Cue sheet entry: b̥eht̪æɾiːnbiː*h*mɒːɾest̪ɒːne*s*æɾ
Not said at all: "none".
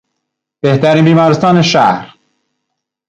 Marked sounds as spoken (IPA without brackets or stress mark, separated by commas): none, ʃ